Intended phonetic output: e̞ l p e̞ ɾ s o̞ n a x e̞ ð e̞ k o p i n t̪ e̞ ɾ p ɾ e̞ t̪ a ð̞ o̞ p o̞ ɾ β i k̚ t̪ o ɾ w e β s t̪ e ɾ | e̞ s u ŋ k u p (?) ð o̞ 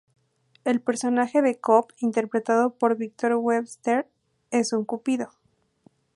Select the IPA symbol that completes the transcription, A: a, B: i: B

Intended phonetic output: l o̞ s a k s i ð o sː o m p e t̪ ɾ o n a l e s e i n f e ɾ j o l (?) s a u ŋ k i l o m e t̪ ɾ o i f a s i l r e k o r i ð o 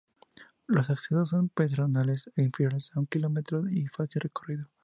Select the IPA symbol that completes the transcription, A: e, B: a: A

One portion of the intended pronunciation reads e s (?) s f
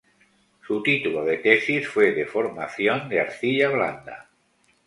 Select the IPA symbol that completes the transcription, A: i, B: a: A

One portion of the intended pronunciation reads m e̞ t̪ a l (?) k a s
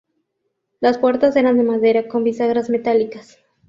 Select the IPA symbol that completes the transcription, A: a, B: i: B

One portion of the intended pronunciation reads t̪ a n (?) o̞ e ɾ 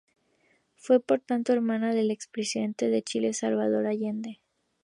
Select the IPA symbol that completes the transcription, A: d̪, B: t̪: B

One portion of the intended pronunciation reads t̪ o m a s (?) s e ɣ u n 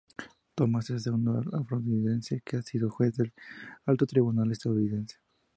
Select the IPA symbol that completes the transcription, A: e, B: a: A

